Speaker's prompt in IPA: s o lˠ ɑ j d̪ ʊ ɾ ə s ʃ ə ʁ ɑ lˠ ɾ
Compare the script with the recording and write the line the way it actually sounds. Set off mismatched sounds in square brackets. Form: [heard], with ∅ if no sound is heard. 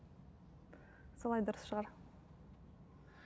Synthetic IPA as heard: s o lˠ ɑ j d̪ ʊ ɾ ə s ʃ ə ʁ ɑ [∅] ɾ